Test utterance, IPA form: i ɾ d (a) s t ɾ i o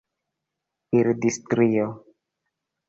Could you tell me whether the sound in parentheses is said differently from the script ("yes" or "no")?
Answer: yes